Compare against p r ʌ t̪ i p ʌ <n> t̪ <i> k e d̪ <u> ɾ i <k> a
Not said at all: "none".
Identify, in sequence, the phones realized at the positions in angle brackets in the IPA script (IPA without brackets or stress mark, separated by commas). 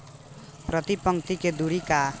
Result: ŋ, i, u, k